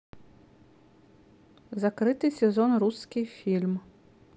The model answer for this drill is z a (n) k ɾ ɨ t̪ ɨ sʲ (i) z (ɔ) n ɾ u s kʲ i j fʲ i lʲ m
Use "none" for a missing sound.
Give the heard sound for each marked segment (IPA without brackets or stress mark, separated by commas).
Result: none, ɛ, ɔ